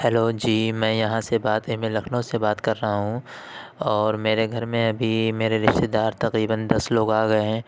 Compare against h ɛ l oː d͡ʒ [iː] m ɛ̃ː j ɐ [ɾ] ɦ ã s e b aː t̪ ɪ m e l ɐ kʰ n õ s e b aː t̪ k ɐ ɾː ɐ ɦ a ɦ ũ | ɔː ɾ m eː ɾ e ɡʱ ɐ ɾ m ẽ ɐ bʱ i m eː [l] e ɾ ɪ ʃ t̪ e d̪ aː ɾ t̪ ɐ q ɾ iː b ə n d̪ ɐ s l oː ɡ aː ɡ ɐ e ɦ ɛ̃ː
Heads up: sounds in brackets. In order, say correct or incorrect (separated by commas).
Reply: correct, incorrect, incorrect